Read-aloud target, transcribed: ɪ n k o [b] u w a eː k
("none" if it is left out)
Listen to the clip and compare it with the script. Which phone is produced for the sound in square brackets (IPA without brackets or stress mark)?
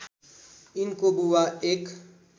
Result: b